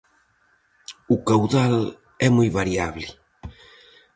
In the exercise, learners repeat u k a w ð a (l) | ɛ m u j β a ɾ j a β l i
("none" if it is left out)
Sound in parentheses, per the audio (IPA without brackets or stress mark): l